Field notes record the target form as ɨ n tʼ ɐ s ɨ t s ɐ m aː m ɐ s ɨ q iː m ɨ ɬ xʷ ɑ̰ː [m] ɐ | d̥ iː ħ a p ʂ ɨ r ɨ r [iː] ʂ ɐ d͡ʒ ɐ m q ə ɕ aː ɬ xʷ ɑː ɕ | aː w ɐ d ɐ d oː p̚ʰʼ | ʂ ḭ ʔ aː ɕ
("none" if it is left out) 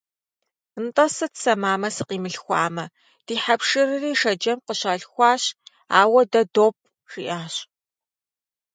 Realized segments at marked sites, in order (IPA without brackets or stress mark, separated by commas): m, iː